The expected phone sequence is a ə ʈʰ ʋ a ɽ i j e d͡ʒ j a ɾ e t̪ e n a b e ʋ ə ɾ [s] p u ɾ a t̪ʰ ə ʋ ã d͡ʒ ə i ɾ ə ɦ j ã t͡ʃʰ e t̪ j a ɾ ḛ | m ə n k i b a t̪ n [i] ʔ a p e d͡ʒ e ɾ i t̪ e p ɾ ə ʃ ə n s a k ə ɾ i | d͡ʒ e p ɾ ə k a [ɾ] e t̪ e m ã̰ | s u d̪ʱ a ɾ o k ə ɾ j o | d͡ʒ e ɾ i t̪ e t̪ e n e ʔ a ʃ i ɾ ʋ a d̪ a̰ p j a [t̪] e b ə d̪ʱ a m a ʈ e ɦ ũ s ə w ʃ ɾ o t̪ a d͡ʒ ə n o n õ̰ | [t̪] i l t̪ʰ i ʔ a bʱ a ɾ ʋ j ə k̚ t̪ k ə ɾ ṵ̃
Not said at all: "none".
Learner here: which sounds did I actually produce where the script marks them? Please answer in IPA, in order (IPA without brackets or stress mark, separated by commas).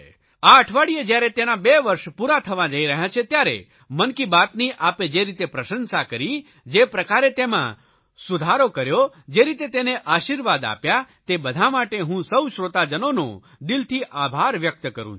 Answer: ʃ, i, ɾ, t̪, d̪